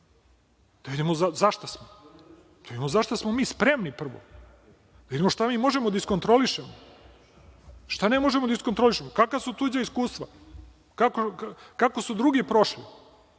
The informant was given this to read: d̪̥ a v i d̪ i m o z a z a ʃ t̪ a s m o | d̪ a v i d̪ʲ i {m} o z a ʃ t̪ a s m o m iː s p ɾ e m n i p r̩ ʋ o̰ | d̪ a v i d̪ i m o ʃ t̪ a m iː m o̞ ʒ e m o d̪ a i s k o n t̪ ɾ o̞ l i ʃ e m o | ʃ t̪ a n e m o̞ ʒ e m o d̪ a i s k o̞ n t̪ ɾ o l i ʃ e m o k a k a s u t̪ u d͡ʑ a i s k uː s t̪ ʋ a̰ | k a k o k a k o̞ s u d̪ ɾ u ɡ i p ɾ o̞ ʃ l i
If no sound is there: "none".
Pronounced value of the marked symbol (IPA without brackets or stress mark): m